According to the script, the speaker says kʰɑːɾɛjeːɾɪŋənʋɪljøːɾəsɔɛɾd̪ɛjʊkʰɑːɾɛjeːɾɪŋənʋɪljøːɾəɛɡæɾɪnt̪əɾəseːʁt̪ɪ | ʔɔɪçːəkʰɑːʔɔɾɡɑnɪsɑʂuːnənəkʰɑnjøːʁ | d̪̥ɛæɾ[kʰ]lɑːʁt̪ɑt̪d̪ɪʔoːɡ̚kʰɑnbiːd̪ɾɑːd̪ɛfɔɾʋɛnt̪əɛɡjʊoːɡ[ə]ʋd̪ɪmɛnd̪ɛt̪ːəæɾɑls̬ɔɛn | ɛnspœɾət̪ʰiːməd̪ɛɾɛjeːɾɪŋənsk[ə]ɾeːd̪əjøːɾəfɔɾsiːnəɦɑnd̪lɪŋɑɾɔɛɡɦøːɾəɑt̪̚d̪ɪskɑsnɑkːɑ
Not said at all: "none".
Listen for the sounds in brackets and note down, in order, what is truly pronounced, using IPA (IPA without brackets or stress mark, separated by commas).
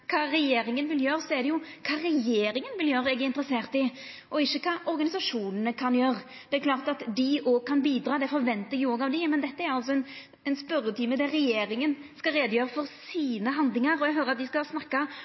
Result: k, ɑ, ɑ